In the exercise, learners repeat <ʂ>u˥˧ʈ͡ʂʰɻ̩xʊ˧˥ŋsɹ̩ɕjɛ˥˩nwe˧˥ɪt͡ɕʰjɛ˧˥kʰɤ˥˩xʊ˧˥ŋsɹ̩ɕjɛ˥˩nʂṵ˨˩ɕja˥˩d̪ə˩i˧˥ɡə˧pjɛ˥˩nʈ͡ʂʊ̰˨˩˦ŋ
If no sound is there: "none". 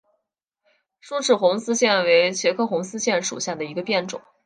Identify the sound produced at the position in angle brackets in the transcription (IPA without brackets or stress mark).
ʂ